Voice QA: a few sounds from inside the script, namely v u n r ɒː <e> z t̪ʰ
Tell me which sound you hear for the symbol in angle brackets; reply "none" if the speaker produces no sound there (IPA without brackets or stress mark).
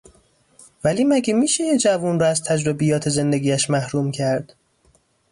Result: æ